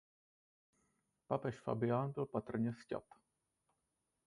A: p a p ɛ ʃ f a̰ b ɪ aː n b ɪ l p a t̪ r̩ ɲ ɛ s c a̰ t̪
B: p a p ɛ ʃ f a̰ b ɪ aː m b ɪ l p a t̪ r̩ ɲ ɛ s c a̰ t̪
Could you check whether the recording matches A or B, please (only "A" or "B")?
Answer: A